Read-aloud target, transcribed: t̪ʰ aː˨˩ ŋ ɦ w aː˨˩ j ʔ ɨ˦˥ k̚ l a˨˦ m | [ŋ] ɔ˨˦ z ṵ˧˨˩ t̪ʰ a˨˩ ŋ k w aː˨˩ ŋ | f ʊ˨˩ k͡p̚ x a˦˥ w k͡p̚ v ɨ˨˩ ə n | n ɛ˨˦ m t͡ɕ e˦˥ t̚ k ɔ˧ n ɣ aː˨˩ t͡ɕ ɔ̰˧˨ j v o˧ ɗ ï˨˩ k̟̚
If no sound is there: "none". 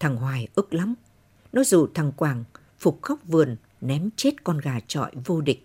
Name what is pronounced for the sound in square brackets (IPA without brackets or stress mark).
n